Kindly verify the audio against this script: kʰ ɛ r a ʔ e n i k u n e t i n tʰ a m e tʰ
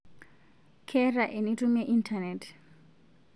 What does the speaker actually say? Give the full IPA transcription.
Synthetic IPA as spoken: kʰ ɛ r a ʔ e n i t u m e ʔ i n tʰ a n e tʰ